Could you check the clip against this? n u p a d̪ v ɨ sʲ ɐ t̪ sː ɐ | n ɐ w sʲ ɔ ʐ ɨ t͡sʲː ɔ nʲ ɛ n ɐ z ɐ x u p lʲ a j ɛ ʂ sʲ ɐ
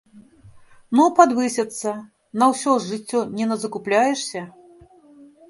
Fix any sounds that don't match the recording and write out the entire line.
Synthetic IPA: n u p a d̪ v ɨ sʲ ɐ t̪ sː ɐ | n ɐ w sʲ ɔ ʐ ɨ t͡sʲː ɔ nʲ ɛ n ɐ z ɐ k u p lʲ a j ɛ ʂ sʲ ɐ